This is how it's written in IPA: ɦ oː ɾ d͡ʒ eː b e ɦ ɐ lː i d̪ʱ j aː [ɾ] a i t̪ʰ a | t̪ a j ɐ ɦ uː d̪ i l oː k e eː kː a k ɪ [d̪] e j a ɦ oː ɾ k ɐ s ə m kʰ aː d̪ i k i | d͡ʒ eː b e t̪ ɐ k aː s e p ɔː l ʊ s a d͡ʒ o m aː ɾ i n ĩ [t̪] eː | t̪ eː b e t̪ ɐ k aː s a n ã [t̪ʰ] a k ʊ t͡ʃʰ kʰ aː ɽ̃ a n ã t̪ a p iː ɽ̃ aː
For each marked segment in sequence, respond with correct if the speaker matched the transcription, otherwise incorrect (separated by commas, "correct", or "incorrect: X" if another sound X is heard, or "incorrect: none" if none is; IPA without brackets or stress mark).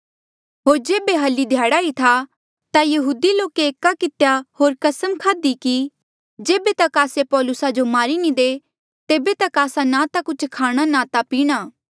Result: incorrect: ɽ, incorrect: t̪, incorrect: d̪, incorrect: t̪